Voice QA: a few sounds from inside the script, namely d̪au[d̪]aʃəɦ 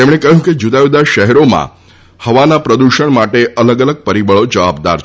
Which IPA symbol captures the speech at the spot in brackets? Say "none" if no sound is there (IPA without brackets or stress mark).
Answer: d̪